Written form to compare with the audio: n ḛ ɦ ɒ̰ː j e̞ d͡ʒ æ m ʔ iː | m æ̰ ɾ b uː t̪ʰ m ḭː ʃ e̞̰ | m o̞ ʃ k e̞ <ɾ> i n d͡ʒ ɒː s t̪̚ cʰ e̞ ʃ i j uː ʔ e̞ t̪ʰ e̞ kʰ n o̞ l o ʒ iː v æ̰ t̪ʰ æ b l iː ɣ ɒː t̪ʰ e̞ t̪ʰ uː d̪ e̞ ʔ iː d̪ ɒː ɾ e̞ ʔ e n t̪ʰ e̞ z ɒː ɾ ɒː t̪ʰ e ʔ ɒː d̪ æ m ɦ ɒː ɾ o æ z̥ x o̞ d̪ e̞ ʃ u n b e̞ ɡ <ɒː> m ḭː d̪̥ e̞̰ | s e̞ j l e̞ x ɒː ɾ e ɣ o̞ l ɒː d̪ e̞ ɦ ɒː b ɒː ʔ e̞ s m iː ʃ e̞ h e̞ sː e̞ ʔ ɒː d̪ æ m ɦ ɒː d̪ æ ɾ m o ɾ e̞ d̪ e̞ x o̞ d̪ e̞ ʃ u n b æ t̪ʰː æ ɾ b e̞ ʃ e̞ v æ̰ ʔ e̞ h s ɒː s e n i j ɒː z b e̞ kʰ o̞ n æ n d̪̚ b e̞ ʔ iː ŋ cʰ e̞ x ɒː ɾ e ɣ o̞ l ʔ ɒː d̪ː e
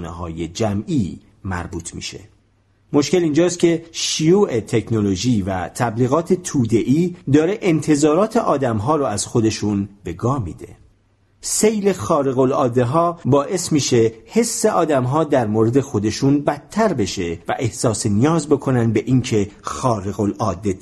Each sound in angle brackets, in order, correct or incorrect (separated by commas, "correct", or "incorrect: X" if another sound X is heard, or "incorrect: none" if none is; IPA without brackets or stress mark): incorrect: l, correct